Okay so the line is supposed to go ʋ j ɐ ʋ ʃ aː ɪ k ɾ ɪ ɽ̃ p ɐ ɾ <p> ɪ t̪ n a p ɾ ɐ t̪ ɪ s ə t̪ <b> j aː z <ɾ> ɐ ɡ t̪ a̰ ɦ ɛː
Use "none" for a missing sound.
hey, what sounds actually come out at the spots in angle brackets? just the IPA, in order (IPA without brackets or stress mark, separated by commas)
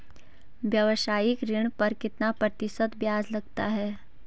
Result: k, b, l